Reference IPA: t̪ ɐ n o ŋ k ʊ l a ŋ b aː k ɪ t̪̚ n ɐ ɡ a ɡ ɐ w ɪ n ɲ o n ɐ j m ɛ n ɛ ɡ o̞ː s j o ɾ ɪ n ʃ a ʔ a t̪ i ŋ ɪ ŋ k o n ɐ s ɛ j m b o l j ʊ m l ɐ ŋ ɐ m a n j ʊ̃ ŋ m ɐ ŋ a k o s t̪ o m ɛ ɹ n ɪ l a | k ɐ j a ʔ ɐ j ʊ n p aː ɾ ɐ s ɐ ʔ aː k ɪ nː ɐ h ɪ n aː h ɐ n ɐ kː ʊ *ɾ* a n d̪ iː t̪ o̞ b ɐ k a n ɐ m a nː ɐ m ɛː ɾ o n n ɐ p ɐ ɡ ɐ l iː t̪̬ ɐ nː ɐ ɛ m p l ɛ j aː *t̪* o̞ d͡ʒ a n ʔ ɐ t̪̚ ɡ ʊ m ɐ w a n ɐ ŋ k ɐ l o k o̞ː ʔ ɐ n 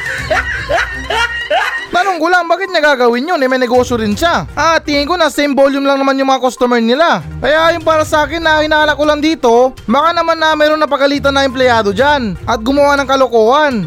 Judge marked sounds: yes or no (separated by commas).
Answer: no, no